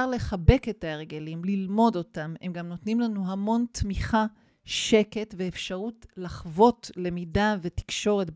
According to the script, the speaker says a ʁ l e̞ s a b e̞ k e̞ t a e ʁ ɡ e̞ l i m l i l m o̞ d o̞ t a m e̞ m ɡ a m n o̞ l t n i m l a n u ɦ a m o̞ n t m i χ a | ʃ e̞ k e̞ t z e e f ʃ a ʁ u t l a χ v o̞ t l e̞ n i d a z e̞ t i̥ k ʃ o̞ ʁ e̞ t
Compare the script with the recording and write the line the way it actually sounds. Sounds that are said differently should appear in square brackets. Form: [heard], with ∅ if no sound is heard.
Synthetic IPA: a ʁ l e̞ [χ] a b e̞ k e̞ t a e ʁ ɡ e̞ l i m l i l m o̞ d o̞ t a m e̞ m ɡ a m n o̞ [∅] t n i m l a n u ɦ a m o̞ n t m i χ a | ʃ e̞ k e̞ t [v] e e f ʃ a ʁ u t l a χ v o̞ t l e̞ [m] i d a [v] e̞ t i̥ k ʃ o̞ ʁ e̞ t